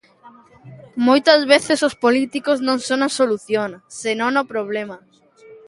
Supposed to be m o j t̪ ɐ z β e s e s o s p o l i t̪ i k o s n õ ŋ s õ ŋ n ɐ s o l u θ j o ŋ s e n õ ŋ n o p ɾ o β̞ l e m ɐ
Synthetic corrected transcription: m o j t̪ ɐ z β e θ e s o s p o l i t̪ i k o z n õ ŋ s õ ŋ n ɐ s o l u θ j o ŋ s e n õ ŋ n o p ɾ o β̞ l e m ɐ